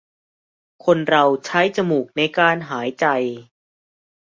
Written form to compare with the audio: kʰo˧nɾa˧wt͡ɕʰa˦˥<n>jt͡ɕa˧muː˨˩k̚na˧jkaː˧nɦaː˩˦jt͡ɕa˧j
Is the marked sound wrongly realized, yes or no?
yes